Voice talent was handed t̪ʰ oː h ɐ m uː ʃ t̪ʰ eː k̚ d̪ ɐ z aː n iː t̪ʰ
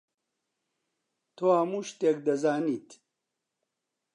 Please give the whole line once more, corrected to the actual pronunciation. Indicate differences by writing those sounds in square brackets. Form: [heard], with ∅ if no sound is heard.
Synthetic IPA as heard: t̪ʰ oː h ɐ m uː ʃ [t̪] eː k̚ d̪ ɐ z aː n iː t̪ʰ